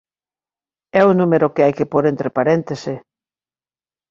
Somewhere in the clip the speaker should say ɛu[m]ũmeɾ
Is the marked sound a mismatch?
yes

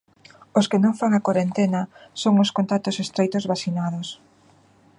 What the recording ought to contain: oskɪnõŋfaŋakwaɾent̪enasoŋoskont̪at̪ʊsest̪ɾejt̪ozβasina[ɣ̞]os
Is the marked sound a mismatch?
yes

